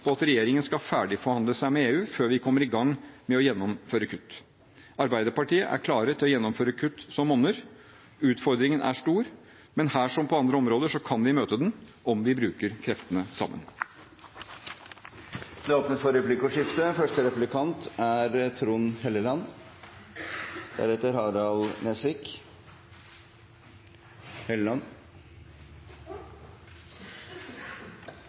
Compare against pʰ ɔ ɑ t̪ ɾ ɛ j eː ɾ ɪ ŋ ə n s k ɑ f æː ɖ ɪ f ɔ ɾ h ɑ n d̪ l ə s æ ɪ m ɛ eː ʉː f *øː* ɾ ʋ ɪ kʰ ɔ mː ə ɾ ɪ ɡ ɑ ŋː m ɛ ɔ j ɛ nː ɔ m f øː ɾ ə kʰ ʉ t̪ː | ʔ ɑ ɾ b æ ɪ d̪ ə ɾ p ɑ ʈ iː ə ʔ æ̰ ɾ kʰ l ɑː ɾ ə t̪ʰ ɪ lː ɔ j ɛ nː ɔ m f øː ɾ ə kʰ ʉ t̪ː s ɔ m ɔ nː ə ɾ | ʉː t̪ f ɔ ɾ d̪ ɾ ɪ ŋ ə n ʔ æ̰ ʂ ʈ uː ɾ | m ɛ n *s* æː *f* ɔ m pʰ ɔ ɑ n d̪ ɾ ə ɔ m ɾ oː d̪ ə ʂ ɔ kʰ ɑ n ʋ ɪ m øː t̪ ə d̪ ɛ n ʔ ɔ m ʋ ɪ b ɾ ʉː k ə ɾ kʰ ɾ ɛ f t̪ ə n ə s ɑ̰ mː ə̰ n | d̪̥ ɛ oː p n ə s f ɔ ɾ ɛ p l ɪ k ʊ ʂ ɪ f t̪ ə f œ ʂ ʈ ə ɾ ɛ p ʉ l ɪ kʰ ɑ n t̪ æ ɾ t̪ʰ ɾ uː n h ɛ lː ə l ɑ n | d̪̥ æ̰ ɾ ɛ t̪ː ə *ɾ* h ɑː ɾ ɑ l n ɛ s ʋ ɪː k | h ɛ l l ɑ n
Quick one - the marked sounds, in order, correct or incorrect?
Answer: correct, incorrect, incorrect, correct

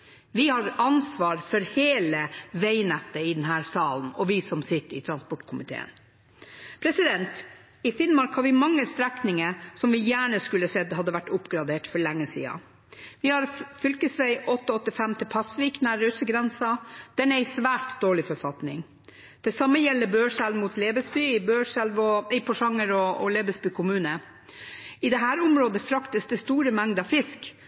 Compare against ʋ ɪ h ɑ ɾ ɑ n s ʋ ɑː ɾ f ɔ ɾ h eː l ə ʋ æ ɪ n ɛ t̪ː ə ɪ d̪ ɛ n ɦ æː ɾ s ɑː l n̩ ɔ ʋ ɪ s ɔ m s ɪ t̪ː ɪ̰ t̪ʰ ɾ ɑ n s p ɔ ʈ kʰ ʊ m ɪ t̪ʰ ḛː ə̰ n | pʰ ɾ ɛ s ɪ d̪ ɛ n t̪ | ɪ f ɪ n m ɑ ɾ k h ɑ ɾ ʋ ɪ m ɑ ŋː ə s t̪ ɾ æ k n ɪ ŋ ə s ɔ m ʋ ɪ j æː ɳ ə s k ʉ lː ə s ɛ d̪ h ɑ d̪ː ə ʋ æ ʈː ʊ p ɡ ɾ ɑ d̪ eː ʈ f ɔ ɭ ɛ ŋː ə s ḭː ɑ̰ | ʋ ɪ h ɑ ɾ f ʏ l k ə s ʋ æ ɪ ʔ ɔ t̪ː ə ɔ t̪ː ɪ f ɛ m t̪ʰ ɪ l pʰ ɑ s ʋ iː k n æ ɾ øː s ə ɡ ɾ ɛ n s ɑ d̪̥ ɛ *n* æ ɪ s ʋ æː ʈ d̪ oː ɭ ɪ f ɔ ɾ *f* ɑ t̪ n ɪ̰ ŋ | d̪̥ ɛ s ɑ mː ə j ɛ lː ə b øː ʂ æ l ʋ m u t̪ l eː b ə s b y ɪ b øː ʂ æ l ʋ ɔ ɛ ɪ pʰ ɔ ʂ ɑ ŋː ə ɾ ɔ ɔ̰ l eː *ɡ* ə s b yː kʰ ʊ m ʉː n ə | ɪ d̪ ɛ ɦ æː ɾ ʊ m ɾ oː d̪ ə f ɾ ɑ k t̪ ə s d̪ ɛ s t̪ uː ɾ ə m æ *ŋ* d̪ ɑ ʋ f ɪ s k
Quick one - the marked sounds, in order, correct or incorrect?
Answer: correct, correct, incorrect, correct

